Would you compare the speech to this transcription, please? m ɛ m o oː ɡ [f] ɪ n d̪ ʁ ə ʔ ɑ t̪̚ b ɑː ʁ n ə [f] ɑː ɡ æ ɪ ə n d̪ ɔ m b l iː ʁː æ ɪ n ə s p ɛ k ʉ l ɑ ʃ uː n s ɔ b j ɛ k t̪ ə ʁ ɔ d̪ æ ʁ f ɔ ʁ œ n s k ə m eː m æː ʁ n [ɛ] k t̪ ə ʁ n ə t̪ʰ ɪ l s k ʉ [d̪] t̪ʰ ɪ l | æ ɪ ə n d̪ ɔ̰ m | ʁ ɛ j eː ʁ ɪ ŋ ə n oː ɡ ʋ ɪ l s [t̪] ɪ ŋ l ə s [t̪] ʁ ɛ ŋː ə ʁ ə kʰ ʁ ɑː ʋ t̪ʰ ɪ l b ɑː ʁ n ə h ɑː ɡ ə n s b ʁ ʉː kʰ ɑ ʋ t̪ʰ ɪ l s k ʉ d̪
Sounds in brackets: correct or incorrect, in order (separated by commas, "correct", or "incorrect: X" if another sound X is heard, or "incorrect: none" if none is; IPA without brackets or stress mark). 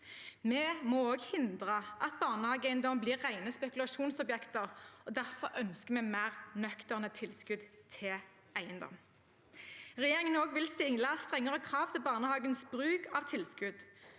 incorrect: h, incorrect: h, incorrect: œ, correct, correct, correct